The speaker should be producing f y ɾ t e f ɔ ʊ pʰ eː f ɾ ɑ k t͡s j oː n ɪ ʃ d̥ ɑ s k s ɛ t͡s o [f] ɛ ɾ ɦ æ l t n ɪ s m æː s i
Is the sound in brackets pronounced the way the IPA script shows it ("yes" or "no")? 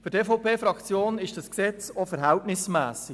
yes